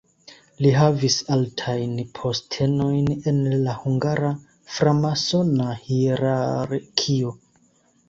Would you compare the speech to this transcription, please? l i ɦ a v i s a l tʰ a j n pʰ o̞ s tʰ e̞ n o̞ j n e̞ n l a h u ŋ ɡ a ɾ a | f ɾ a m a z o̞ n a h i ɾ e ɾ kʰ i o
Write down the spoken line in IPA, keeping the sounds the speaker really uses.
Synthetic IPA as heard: l i ɦ a v i s a l tʰ a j n pʰ o̞ s tʰ e̞ n o̞ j n e̞ n l a h u ŋ ɡ a ɾ a | f ɾ a m a s o̞ n a h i ɾ a ɾ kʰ i o

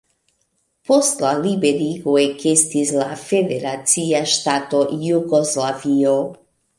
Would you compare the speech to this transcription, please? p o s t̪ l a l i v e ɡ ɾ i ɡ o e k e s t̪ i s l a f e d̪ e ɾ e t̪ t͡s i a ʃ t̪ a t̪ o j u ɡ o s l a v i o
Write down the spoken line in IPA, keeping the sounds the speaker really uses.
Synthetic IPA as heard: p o s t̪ l a l i b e ɾ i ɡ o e k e s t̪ i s l a f e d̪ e ɾ a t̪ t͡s i a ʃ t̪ a t̪ o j u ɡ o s l a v i o

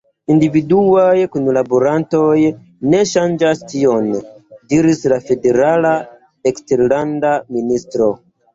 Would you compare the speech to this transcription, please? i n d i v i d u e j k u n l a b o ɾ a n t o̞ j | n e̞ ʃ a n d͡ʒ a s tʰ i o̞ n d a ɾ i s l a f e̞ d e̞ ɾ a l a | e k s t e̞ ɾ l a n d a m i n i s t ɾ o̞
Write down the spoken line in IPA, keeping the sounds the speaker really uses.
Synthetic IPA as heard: i n d i v i d u a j k u n l a b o ɾ a n t o̞ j | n e̞ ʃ a n d͡ʒ a s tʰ i o̞ n d i ɾ i s l a f e̞ d e̞ ɾ a l a | e k s t e̞ ɾ l a n d a m i n i s t ɾ o̞

